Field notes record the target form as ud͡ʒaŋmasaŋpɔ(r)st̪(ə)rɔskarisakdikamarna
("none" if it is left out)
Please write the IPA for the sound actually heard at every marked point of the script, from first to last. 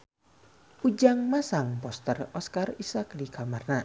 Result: none, ə

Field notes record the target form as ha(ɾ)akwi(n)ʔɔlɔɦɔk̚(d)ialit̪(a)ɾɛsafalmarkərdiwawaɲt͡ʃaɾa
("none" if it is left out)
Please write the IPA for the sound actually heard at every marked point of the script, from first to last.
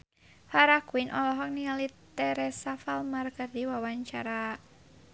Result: ɾ, n, n, ɛ

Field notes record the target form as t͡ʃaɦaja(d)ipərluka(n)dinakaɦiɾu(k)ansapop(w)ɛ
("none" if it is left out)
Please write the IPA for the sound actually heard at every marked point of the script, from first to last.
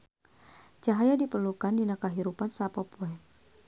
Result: d, n, p, u

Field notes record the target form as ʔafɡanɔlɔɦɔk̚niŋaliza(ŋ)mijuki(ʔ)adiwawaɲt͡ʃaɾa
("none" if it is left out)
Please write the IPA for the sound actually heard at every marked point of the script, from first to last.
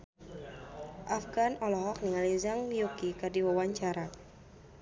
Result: ŋ, k

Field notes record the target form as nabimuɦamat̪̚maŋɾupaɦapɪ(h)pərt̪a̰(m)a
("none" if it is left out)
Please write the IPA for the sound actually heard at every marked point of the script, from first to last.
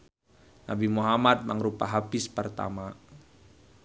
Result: s, m

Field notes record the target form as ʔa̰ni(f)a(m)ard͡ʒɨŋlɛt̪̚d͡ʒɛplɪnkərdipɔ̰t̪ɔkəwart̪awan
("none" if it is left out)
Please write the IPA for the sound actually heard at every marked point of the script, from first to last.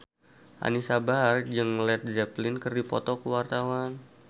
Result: s, b

